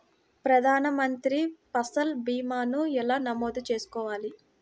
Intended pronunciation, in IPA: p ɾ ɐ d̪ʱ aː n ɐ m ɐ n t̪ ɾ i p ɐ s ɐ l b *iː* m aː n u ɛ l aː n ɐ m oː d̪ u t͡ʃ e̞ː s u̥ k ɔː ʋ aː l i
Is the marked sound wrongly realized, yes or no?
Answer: no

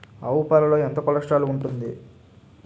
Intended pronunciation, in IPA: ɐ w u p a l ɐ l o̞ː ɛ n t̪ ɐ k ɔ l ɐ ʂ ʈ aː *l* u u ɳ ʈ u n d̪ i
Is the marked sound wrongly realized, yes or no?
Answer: no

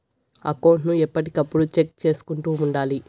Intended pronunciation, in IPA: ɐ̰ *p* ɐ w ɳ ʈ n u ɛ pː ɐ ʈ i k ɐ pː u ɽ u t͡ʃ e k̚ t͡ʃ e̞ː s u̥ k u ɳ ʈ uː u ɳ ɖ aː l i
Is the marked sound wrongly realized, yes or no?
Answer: yes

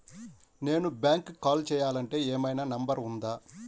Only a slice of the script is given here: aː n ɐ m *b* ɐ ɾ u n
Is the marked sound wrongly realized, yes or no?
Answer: no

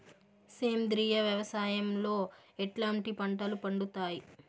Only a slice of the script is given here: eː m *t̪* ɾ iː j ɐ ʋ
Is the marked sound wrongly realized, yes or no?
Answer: yes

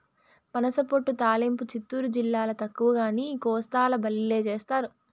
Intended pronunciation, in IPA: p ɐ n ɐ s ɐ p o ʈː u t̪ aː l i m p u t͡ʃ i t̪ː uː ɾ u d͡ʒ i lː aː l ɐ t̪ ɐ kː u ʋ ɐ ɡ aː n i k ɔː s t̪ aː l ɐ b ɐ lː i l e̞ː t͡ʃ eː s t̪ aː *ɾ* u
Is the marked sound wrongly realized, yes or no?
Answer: no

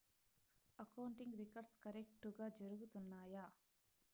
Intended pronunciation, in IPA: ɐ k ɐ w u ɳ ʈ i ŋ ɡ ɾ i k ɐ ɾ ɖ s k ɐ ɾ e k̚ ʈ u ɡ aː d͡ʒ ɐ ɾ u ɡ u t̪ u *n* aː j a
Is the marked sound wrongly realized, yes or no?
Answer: yes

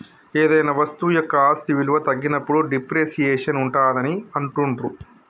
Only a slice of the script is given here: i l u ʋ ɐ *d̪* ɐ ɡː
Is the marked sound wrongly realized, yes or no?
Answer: yes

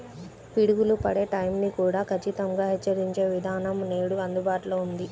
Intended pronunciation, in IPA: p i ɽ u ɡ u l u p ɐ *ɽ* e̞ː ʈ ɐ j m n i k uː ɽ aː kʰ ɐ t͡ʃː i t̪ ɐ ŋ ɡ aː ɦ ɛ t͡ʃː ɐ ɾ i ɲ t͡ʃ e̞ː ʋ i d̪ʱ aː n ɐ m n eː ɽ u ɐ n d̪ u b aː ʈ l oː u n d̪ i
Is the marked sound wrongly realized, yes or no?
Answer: no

